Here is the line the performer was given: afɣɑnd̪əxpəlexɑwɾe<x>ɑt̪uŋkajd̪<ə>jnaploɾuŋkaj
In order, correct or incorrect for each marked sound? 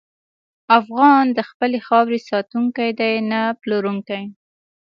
incorrect: s, incorrect: a

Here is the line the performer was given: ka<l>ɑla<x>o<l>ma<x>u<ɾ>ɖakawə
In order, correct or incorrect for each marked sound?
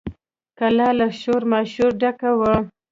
correct, incorrect: ʃ, incorrect: ɾ, incorrect: ʃ, correct

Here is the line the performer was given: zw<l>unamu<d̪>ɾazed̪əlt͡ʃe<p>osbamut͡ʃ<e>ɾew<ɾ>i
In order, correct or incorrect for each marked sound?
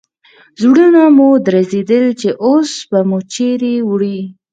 incorrect: ɽ, correct, incorrect: ʔ, correct, incorrect: ɽ

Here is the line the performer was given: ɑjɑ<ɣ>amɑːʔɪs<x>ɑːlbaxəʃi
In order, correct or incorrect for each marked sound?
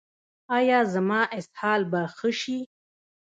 incorrect: z, incorrect: h

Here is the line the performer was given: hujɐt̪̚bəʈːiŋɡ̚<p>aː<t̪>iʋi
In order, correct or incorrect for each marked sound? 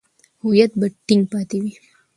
correct, correct

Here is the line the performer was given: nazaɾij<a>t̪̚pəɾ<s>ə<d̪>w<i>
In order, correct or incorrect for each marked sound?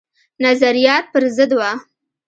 incorrect: ɑ, incorrect: z, correct, incorrect: a

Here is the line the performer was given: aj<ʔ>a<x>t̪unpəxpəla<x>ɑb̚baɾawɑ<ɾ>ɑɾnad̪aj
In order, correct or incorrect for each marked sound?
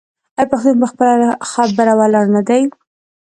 incorrect: p, correct, correct, incorrect: l

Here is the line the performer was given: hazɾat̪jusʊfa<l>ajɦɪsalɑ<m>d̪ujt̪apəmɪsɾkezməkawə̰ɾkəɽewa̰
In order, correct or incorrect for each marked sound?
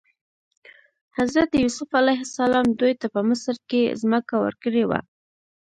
correct, correct

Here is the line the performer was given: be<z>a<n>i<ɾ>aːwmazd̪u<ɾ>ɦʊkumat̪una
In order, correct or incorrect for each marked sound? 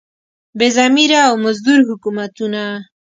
correct, incorrect: m, correct, correct

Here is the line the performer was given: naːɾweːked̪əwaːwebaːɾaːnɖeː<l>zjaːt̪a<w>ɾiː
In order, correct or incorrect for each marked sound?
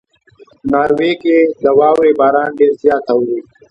incorrect: ɾ, correct

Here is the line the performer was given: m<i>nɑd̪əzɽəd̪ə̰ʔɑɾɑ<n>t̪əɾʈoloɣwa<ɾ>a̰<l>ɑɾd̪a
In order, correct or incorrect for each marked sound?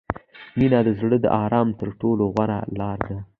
correct, incorrect: m, correct, correct

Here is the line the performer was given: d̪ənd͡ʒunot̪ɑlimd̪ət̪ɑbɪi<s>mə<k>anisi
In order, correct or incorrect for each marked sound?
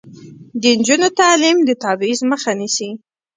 incorrect: z, incorrect: x

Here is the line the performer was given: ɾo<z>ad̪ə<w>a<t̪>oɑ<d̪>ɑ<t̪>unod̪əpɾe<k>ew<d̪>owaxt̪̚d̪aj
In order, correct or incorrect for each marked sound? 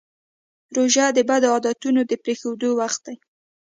incorrect: ʒ, incorrect: b, incorrect: d̪, correct, correct, incorrect: x, correct

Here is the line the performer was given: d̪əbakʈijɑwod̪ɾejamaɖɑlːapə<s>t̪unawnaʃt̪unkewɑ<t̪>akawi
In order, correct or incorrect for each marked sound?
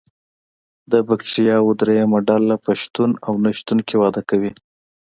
incorrect: ʃ, incorrect: d̪

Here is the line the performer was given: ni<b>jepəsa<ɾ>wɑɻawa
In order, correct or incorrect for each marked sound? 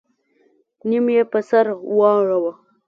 incorrect: m, correct

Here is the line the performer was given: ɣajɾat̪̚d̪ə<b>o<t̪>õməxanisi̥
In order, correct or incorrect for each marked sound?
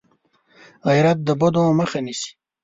correct, incorrect: d̪

